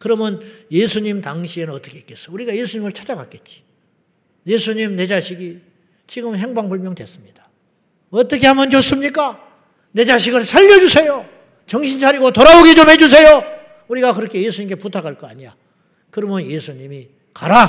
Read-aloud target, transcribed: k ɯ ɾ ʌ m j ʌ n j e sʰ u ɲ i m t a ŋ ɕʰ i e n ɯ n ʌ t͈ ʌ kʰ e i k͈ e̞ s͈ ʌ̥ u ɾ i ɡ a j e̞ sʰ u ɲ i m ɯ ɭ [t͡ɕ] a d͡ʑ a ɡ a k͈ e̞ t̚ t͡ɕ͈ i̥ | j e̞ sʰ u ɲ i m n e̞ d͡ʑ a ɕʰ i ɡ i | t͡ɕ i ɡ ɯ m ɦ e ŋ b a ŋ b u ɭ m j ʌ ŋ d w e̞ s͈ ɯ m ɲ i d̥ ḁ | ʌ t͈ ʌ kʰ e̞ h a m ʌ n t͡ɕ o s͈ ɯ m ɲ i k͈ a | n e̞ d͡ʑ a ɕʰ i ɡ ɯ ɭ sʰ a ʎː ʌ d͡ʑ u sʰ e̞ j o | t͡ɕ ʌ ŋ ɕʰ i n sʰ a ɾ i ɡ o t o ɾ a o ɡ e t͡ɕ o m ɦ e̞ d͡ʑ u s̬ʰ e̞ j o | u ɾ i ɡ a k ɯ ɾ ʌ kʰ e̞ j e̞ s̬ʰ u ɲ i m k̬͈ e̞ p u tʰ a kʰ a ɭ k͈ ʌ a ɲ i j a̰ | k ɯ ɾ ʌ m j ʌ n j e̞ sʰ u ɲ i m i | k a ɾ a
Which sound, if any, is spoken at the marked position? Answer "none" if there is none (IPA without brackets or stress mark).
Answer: t͡ɕʰ